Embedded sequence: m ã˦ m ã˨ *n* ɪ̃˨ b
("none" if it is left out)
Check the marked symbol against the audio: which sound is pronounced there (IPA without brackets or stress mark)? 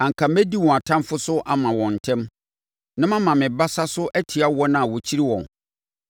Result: m